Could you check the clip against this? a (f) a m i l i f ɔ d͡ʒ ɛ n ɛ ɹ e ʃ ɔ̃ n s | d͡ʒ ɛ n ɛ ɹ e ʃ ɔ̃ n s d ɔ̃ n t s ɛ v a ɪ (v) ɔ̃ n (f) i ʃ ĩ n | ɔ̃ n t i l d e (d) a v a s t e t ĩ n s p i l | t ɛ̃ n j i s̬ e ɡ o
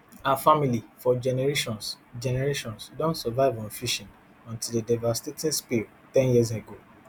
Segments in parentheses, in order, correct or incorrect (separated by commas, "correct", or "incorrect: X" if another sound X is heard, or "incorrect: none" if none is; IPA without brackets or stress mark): correct, correct, correct, correct